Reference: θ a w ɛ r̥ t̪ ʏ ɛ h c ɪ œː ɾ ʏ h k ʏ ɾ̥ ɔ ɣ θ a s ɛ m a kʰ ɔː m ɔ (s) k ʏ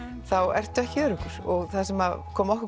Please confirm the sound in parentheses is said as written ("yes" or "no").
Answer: no